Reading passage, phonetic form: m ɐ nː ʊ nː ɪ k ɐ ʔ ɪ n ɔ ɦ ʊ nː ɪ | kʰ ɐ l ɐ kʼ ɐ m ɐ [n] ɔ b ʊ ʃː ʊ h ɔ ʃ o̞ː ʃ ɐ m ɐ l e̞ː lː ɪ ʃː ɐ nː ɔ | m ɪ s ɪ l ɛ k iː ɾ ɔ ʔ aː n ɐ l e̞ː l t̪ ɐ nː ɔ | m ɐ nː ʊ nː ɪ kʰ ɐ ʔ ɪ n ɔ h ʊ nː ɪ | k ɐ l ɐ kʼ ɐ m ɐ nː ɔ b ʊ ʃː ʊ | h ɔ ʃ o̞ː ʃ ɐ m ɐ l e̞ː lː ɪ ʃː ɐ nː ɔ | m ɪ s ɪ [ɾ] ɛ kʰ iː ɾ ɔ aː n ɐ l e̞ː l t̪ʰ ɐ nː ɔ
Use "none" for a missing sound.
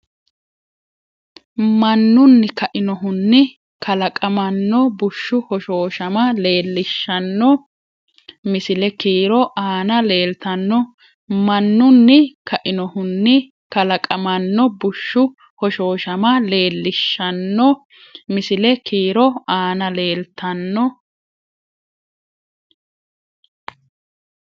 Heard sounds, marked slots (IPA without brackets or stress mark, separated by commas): nː, l